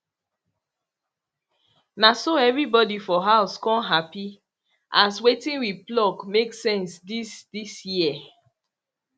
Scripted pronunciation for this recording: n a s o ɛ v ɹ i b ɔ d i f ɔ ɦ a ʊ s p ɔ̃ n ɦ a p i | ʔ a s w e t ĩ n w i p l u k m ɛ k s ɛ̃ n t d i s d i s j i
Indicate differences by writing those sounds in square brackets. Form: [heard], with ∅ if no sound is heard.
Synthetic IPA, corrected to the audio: n a s o ɛ v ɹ i b ɔ d i f ɔ ɦ a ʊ s [k] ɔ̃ n ɦ a p i | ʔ a s w e t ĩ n w i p l [ɔ] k m [e] k s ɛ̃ n [s] d i s d i s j i